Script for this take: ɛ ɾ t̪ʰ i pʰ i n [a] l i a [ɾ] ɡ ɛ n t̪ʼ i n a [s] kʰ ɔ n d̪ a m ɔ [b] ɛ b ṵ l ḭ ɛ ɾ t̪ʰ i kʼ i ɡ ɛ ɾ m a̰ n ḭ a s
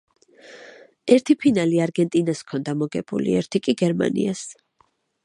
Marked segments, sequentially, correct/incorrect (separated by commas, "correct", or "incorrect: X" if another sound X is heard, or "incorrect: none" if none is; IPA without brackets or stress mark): correct, correct, correct, incorrect: ɡ